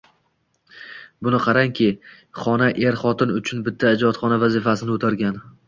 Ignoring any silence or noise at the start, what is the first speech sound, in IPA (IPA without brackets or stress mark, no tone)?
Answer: b